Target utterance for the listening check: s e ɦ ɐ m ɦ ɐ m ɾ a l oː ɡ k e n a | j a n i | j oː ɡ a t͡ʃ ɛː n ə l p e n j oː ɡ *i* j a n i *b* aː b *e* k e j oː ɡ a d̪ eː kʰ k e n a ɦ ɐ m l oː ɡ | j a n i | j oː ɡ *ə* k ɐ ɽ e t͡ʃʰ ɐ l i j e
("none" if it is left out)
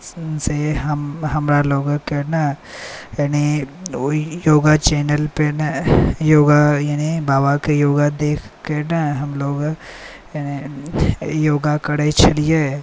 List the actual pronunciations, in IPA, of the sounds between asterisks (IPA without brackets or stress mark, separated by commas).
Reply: a, b, a, a